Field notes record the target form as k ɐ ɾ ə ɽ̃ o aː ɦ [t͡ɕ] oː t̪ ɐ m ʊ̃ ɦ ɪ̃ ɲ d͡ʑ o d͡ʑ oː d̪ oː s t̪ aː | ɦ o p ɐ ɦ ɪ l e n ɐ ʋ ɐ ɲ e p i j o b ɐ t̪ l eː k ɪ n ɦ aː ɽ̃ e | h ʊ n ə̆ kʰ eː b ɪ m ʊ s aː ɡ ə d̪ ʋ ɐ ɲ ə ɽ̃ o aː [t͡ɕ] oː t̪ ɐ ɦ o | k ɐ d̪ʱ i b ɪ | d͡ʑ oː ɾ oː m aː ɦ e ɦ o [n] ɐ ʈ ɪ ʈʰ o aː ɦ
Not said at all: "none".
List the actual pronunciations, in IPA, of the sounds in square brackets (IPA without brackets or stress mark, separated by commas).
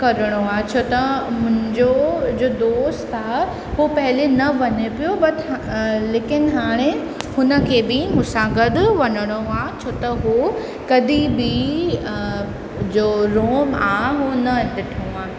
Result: t͡ɕʰ, t͡ɕʰ, n